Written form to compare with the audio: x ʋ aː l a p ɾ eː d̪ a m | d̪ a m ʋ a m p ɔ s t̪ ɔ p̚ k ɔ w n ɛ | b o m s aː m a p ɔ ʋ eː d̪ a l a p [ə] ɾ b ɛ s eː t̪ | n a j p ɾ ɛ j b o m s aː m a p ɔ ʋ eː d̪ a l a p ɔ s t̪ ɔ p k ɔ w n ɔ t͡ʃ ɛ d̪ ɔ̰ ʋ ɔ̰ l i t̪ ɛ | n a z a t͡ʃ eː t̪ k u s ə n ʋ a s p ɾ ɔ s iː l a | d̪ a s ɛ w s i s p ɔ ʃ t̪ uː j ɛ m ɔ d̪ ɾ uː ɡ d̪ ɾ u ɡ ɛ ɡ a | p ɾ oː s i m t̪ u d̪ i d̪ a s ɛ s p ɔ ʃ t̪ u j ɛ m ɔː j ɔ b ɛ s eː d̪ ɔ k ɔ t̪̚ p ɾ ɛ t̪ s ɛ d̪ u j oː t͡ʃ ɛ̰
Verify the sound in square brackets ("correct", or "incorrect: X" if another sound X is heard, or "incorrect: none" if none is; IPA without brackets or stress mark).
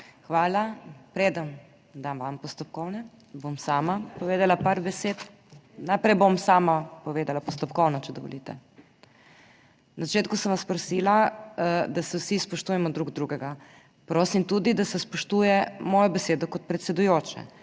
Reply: incorrect: a